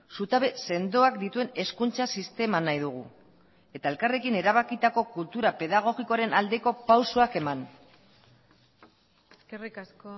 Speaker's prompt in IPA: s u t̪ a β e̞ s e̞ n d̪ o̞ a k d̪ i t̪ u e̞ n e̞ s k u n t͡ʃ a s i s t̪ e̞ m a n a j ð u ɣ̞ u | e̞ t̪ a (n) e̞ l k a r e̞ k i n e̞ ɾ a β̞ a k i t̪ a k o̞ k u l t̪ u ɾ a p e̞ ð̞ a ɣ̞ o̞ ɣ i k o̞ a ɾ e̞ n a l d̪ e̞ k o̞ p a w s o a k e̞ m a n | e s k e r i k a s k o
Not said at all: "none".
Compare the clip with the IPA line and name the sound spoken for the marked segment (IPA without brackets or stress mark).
none